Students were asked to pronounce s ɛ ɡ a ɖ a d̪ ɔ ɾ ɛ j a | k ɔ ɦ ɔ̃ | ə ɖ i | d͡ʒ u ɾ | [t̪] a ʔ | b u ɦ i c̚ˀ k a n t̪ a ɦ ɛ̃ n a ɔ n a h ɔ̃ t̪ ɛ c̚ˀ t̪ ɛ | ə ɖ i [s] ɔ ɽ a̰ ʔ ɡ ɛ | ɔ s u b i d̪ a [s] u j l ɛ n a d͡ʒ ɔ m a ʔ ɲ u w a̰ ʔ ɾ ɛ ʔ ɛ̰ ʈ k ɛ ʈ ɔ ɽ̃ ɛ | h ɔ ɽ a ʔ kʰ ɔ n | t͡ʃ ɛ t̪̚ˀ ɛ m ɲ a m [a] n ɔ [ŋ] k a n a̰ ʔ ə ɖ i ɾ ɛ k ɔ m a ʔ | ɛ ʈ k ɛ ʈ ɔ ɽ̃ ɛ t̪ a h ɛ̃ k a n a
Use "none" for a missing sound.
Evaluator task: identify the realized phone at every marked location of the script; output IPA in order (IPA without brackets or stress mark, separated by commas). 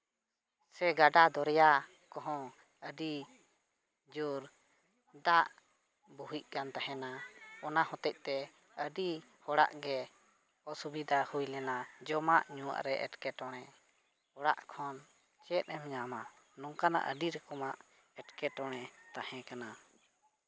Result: d̪, h, h, a, ŋ